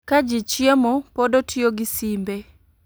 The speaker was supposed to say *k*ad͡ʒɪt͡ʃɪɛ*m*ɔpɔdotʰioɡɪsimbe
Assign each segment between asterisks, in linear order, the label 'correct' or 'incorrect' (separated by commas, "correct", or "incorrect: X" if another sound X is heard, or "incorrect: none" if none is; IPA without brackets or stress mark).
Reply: correct, correct